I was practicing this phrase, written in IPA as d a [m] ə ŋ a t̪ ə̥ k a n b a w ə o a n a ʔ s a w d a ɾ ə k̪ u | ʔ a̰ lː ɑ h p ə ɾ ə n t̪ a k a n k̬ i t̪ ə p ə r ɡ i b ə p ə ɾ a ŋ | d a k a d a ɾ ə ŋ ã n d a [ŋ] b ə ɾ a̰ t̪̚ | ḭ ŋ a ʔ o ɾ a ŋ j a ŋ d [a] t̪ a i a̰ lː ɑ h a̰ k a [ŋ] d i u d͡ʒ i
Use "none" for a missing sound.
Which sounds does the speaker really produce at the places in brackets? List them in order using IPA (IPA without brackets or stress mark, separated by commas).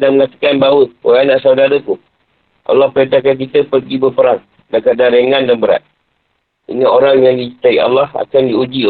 m, n, i, n